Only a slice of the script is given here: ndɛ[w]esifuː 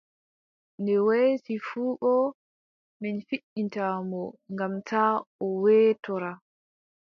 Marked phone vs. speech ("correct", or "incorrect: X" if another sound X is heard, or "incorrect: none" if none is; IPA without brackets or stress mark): correct